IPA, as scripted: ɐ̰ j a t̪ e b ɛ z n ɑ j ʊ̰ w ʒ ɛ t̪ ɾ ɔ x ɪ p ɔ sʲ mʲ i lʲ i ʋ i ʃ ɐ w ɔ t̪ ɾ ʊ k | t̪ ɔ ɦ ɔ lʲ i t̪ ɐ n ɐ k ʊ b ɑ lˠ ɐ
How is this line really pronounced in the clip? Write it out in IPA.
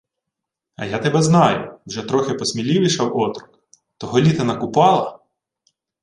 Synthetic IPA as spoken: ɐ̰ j a t̪ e b ɛ z n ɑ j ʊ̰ w ʒ ɛ t̪ ɾ ɔ x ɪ p ɔ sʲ mʲ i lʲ i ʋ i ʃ ɐ w ɔ t̪ ɾ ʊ k | t̪ ɔ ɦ ɔ lʲ i t̪ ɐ n ɐ k ʊ p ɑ lˠ ɐ